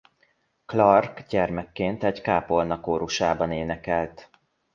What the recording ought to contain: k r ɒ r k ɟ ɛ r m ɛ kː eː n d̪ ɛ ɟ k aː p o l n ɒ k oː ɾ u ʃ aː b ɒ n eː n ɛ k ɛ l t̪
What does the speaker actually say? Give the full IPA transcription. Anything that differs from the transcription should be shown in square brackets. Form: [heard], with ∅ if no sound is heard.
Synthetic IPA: k [l] ɒ r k ɟ ɛ r m ɛ kː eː n [t̪] ɛ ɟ k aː p o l n ɒ k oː ɾ u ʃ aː b ɒ n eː n ɛ k ɛ l t̪